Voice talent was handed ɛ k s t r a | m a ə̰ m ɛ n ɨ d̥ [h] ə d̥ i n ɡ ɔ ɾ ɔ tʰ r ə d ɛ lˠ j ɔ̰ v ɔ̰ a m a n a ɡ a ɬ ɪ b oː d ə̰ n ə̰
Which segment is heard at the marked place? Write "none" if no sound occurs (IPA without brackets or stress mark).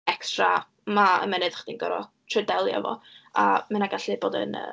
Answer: χ